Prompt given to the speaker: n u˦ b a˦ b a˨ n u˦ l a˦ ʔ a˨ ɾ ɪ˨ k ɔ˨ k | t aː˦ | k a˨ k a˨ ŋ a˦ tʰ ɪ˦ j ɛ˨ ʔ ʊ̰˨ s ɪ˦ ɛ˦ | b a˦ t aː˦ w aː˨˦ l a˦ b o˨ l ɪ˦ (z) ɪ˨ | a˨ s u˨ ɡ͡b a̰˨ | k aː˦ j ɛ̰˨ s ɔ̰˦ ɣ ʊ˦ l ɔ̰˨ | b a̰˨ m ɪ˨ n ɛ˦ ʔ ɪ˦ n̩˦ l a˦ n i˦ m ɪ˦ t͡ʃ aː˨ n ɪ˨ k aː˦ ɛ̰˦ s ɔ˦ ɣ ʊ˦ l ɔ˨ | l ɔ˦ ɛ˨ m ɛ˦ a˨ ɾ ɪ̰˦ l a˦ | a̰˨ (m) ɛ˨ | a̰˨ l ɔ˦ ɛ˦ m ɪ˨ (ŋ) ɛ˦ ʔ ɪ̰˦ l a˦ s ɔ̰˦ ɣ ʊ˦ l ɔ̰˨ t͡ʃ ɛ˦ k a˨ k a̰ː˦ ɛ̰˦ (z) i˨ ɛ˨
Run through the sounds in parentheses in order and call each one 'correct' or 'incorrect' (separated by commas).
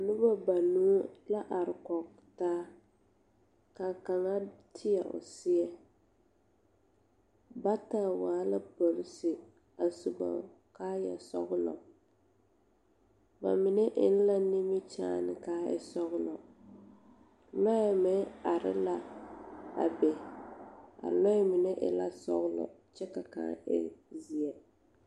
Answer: incorrect, incorrect, incorrect, correct